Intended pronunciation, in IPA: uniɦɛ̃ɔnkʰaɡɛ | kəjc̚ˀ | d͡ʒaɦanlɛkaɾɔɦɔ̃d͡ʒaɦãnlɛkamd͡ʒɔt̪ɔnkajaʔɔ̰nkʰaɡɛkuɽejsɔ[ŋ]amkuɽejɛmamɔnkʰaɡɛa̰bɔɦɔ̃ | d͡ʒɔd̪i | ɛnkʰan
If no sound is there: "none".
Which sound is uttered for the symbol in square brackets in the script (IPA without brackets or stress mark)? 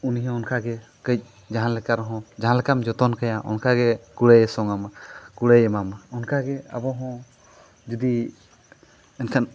ŋ